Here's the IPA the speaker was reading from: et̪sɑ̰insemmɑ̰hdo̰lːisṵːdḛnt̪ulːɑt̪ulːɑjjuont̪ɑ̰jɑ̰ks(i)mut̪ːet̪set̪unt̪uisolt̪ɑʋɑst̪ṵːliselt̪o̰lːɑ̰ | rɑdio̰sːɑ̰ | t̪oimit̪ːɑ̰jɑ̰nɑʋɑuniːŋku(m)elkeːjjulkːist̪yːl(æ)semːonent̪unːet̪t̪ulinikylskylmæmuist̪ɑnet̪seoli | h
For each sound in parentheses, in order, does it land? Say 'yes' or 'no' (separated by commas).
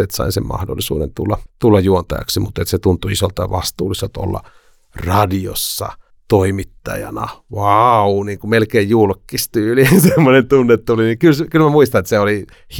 yes, yes, no